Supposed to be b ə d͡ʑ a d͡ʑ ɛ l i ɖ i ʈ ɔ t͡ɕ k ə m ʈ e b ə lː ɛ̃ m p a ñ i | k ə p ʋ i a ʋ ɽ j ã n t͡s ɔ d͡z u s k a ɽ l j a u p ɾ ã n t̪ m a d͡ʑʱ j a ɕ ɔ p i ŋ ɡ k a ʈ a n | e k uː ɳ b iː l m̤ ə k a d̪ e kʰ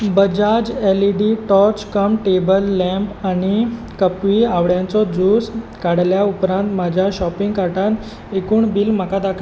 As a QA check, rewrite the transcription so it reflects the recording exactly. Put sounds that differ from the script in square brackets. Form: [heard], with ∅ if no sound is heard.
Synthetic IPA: b ə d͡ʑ a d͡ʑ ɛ l i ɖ i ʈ ɔ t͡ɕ k ə m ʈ e b ə lː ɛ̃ m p a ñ i | k ə p ʋ i a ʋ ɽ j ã n t͡s ɔ d͡z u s k a ɽ l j a u p ɾ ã n t̪ m a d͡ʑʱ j a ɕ ɔ p i ŋ ɡ k a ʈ a n | e k uː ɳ b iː l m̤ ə k a d̪ [a] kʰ